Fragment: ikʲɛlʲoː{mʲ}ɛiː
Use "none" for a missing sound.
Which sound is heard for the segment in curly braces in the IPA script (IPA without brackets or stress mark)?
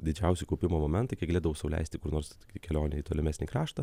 nʲ